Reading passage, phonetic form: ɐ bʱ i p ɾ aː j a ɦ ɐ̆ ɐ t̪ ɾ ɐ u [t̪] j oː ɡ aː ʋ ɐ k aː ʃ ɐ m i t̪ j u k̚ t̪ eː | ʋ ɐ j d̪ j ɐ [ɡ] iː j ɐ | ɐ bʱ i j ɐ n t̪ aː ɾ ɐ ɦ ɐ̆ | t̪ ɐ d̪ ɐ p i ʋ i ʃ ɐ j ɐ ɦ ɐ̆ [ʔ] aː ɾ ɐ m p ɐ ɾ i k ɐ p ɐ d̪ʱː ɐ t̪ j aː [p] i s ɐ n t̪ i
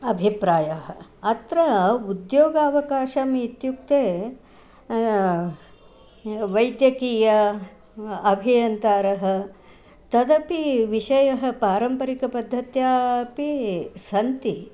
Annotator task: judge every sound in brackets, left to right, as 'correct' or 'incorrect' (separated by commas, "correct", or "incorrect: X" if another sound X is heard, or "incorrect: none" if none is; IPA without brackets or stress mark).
incorrect: d̪, incorrect: k, incorrect: p, correct